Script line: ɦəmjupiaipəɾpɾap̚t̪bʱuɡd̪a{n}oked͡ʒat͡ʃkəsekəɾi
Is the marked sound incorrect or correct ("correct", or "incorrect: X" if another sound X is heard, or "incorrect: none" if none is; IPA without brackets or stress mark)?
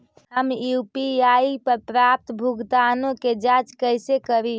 correct